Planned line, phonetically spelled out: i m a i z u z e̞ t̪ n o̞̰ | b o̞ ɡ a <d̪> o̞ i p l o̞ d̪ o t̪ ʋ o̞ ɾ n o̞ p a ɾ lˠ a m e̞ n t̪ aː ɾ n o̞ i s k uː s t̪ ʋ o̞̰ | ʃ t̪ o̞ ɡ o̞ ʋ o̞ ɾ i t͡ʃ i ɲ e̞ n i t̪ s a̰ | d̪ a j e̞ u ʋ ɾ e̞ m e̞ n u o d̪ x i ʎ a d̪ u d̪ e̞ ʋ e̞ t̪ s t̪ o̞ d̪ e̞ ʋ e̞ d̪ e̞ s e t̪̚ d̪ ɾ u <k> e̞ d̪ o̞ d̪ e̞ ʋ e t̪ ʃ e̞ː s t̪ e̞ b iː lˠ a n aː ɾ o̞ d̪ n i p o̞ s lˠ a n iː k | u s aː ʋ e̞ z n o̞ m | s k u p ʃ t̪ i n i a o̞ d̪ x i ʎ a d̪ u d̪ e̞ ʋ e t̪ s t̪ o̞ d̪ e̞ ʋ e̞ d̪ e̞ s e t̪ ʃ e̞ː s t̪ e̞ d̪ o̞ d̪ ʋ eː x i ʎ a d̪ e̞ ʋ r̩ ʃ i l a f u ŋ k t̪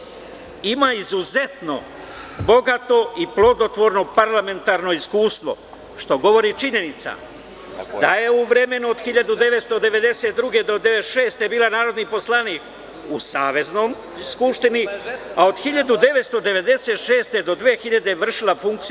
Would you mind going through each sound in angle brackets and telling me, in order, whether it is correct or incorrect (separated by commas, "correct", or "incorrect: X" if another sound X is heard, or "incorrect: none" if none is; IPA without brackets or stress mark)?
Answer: incorrect: t̪, incorrect: ɡ